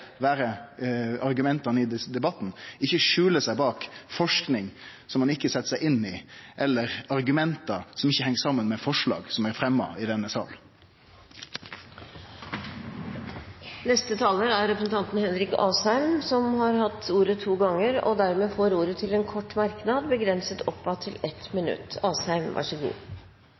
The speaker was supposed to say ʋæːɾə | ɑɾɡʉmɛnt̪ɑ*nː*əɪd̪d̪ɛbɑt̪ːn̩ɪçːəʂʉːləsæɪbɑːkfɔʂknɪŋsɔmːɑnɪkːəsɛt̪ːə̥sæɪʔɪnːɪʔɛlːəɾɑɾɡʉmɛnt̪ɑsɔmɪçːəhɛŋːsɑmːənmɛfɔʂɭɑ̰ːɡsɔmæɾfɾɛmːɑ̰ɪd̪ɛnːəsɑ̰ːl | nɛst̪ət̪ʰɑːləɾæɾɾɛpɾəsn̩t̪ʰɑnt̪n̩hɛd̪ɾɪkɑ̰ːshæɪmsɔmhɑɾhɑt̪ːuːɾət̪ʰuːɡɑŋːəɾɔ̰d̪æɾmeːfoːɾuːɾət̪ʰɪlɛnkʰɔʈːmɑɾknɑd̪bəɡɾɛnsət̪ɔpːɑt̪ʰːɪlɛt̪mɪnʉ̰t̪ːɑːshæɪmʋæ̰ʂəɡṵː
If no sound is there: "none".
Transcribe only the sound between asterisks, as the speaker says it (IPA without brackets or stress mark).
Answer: n